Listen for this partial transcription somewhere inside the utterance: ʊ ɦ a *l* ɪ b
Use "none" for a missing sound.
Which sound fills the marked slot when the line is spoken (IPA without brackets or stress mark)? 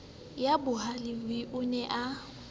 l